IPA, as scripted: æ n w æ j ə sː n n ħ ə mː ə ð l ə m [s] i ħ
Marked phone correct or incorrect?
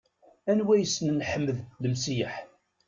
correct